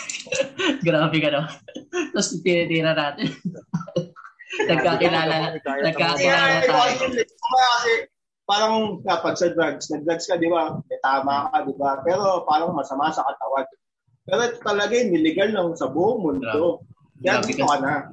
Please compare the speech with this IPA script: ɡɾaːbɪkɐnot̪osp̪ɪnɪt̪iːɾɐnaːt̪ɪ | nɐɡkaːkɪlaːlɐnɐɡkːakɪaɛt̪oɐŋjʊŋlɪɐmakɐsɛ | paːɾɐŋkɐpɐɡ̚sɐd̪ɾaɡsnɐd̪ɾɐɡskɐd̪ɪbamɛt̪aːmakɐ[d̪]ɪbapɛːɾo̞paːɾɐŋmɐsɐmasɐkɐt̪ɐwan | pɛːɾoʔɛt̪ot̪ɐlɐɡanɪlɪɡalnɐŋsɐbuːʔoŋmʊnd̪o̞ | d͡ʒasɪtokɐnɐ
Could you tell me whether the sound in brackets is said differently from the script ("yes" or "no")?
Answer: no